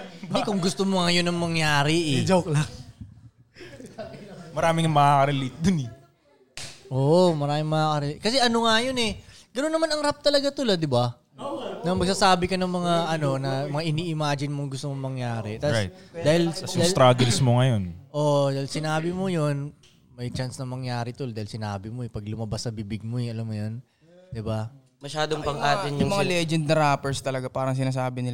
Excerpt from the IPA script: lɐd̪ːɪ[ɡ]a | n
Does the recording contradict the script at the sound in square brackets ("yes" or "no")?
yes